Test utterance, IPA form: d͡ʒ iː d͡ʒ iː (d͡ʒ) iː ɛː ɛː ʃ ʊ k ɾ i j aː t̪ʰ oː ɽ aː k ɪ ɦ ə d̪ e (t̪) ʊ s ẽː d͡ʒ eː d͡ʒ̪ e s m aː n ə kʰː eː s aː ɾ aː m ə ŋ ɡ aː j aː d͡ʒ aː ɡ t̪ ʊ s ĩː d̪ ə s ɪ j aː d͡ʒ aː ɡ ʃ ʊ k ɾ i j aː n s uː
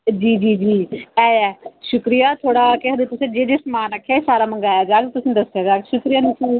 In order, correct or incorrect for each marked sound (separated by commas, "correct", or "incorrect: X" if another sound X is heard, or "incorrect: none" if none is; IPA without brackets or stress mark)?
correct, correct